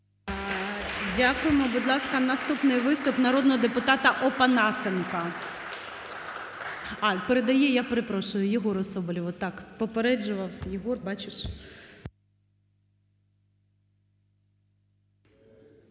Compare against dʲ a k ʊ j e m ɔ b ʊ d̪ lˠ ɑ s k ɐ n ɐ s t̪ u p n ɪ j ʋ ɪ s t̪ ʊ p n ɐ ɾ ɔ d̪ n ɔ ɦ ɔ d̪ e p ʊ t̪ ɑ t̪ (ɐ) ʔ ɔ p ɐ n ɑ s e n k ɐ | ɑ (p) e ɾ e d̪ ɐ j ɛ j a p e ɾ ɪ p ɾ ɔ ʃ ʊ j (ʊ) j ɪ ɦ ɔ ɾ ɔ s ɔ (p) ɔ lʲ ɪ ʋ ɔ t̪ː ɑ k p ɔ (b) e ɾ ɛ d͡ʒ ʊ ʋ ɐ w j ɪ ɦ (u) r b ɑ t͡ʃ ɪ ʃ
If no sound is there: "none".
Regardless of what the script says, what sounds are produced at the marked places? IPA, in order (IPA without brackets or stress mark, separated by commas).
ɐ, p, ʊ, b, p, ɔ